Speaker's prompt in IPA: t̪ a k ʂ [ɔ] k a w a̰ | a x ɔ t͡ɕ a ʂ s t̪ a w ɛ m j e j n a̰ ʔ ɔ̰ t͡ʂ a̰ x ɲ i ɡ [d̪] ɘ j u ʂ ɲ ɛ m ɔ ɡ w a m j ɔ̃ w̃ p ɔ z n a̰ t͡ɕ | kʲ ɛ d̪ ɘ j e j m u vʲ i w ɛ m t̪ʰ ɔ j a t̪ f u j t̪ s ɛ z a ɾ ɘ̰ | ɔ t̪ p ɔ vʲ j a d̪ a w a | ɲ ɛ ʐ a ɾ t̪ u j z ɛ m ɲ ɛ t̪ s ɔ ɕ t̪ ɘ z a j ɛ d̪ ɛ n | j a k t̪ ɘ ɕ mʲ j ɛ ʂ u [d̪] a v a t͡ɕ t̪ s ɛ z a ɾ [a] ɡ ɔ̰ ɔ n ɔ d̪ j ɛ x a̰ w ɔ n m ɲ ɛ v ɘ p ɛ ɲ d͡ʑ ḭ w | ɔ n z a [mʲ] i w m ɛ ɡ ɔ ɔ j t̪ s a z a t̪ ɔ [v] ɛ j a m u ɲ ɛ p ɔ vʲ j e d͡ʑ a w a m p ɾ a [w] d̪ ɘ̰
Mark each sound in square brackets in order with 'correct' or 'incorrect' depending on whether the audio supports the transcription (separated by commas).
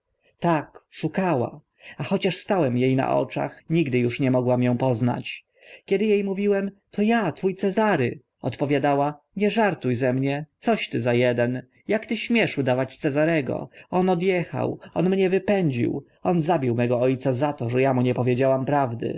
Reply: incorrect, correct, correct, incorrect, incorrect, incorrect, incorrect